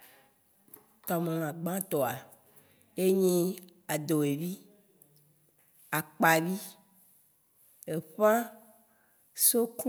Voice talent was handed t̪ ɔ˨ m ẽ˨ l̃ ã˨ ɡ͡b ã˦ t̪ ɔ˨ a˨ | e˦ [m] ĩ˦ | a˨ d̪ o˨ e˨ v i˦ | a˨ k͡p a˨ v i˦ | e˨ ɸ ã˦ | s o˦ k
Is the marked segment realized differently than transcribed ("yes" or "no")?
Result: yes